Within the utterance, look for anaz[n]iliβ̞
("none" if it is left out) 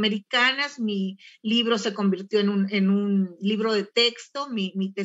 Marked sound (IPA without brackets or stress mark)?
m